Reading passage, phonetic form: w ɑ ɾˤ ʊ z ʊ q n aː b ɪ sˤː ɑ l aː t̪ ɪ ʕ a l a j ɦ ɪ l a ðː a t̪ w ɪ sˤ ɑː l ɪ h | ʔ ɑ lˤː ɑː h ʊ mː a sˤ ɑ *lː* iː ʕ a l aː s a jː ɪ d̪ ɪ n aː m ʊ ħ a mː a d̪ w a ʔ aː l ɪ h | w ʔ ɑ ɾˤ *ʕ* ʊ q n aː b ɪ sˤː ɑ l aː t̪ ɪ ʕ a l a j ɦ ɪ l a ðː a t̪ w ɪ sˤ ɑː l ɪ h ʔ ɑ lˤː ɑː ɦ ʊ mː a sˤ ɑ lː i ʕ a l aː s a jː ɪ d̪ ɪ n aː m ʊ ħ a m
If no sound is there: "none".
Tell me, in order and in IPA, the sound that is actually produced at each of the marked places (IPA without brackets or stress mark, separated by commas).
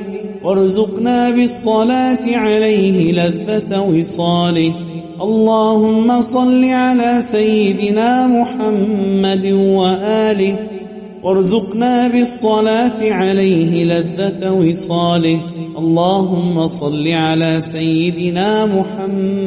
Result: lː, z